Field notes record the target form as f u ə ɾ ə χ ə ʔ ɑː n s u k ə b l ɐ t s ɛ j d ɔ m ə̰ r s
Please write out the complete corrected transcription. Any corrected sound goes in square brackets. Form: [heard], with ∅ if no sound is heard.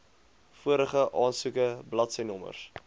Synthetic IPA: f u ə ɾ ə χ ə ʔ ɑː n s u k ə b l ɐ t s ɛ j [n] ɔ m ə̰ r s